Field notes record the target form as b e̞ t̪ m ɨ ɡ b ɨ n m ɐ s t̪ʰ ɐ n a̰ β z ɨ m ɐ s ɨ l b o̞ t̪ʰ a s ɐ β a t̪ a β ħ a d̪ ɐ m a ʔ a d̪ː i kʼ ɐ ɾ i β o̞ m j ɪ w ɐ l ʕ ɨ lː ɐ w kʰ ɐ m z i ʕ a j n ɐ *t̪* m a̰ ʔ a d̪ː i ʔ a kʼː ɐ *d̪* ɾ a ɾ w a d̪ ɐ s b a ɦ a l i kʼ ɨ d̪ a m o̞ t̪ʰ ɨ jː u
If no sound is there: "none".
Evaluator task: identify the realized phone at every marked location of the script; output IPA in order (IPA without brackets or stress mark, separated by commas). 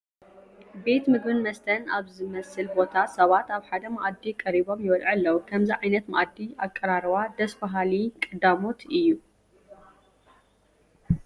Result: t̪, none